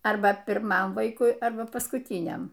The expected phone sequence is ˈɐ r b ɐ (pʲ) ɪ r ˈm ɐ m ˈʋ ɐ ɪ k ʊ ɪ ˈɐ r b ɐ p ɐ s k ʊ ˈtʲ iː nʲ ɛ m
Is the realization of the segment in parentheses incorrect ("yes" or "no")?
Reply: no